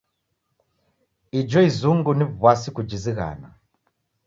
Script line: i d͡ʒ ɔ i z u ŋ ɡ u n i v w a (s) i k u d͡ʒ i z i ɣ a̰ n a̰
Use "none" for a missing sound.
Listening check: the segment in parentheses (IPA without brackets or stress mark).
s